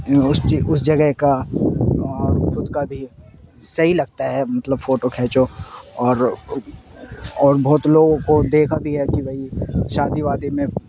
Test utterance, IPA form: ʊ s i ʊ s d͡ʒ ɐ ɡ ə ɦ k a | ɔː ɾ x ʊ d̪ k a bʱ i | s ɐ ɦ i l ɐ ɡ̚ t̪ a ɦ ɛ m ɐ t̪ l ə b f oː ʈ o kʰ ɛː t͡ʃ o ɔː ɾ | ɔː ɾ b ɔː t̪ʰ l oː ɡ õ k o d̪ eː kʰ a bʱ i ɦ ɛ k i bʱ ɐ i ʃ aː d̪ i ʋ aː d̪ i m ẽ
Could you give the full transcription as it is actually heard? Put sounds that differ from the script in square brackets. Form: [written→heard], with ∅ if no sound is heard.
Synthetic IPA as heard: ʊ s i ʊ s d͡ʒ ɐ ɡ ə ɦ k a | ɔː ɾ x ʊ d̪ k a bʱ i | s ɐ ɦ i l ɐ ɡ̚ t̪ a ɦ ɛ m ɐ t̪ l ə b f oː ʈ o kʰ ɛː t͡ʃ o ɔː ɾ | ɔː ɾ b ɔː [t̪ʰ→t̪] l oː ɡ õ k o d̪ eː kʰ a bʱ i ɦ ɛ k i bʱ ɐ i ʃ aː d̪ i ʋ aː d̪ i m ẽ